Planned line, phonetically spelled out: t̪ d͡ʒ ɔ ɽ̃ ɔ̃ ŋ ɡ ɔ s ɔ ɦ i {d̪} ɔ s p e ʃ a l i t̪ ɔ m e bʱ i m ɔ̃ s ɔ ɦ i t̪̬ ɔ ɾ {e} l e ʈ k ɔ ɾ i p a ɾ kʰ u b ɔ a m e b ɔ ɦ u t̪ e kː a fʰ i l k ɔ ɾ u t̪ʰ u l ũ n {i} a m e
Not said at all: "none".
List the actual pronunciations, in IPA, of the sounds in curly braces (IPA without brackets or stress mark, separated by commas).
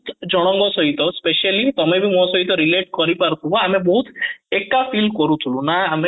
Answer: t̪, i, a